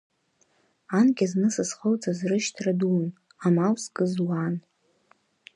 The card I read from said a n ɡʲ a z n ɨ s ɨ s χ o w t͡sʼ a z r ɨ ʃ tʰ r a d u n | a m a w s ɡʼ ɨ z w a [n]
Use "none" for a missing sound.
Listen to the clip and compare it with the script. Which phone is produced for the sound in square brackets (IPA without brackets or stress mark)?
n